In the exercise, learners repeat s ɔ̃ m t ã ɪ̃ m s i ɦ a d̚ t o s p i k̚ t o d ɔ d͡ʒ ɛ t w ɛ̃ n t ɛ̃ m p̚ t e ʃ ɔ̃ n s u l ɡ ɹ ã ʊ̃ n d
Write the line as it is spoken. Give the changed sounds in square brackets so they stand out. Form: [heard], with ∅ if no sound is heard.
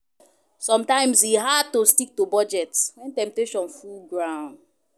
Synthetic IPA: s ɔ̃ m t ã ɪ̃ m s i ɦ a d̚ t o s [t] i k̚ t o [b] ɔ d͡ʒ ɛ t w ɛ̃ n t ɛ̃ m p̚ t e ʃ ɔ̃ n [f] u l ɡ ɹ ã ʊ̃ n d

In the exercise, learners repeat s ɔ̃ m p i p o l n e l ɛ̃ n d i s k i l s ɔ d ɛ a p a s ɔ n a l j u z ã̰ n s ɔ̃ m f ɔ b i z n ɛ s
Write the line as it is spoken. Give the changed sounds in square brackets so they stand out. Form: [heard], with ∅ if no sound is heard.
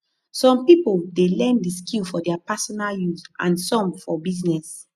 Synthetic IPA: s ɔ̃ m p i p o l [d] e l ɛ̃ n d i s k i l [f] ɔ d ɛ a p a s ɔ n a l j u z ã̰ n s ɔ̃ m f ɔ b i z n ɛ s

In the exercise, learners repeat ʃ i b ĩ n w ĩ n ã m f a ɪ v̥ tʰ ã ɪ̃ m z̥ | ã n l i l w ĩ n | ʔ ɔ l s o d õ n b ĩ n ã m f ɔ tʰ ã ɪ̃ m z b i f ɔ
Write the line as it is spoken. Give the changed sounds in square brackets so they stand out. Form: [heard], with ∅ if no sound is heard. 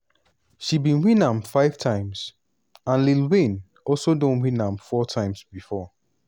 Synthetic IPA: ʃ i b ĩ n w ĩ n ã m f a ɪ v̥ tʰ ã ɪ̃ m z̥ | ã n l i l w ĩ n | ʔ ɔ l s o d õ n [w] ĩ n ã m f ɔ tʰ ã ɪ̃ m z b i f ɔ

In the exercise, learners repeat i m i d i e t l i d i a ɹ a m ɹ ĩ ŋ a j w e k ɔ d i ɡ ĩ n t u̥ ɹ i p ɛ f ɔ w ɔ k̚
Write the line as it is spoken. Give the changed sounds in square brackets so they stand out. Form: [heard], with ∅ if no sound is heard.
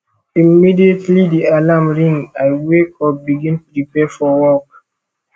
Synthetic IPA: i m i d i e t l i d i a [l] a m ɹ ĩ ŋ a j w e k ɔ [b] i ɡ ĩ n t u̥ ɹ i p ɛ f ɔ w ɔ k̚

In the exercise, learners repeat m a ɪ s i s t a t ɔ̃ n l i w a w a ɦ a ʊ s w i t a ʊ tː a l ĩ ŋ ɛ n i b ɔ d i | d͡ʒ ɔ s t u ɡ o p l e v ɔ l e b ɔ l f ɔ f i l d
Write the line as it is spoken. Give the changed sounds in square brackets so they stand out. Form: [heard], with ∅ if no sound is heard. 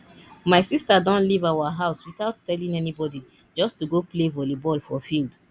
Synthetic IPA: m a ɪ s i s t a [d] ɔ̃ n l i [v] a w a ɦ a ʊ s w i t a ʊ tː [ɛ] l ĩ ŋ ɛ n i b ɔ d i | d͡ʒ ɔ s t u ɡ o p l e v ɔ l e b ɔ l f ɔ f i l d

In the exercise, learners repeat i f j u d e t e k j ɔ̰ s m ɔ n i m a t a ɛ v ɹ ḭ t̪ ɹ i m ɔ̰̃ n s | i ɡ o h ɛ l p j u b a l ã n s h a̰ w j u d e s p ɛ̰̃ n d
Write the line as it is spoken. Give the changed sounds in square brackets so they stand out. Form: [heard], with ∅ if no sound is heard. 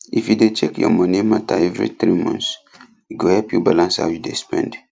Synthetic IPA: i f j u d e [t͡ʃ] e k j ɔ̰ [∅] m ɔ n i m a t a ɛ v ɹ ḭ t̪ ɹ i m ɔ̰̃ n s | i ɡ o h ɛ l p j u b a l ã n s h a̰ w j u d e s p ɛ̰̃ n d

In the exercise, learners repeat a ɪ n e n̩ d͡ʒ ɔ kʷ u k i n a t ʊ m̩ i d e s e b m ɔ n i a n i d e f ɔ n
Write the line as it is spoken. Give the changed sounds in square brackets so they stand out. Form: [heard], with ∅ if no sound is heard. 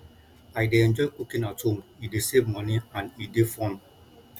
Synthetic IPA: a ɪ [d] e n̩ d͡ʒ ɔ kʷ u k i n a t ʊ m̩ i d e s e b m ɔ n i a n i d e f ɔ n

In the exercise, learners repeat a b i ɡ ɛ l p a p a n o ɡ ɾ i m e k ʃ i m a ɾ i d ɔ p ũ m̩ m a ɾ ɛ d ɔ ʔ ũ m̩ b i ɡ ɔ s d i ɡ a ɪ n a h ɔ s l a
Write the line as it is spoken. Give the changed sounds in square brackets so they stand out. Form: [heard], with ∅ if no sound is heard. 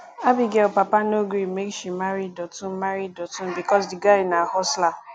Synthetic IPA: a b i ɡ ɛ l p a p a n o ɡ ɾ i m e k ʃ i m a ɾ i d ɔ [t] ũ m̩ m a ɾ [i] d ɔ [t] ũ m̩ b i [k] ɔ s d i ɡ a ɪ n a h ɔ s l a

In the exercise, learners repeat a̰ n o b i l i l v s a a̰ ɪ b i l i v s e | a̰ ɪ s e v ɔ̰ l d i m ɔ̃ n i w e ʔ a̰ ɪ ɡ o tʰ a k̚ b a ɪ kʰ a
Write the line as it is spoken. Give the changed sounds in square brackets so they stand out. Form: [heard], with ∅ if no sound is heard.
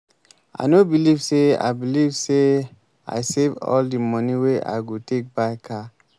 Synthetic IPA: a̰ n o b i l i [∅] v s [e] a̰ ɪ b i l i v s e | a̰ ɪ s e v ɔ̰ l d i m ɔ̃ n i w e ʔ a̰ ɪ ɡ o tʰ [e] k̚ b a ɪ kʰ a

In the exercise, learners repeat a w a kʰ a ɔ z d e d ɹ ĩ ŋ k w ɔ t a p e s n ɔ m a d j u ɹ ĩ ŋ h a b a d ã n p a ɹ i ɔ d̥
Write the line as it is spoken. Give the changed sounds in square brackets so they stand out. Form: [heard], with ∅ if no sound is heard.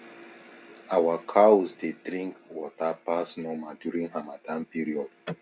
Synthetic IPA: a w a kʰ a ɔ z d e d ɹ ĩ ŋ k w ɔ t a p [a] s n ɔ m a d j u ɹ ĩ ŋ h a [m] a d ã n p [i] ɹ i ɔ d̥

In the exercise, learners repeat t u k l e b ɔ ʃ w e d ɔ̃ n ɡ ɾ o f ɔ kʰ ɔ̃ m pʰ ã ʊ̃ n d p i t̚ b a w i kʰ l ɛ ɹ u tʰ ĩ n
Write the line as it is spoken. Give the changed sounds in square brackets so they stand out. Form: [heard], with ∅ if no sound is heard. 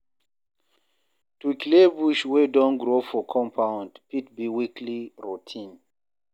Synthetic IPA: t u k l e b [u] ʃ w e d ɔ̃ n ɡ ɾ o f ɔ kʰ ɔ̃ m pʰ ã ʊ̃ n d p i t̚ b [i] w i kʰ l [i] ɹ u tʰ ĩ n

